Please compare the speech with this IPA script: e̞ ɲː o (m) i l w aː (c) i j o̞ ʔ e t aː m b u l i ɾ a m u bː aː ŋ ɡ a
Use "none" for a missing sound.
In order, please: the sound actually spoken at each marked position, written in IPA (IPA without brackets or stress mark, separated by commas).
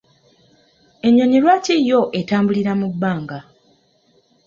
ɲ, c